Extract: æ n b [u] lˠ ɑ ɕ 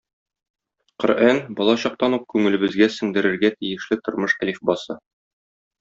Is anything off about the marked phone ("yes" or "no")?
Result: yes